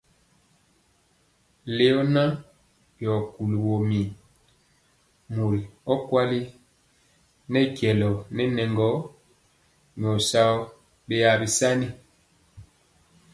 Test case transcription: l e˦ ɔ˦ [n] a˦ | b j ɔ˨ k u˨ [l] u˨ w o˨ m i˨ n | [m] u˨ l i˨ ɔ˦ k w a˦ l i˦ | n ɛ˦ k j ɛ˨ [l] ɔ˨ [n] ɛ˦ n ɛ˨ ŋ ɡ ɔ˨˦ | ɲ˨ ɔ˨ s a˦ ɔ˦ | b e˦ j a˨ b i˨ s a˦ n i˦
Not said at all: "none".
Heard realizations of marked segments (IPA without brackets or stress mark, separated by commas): n, l, m, l, n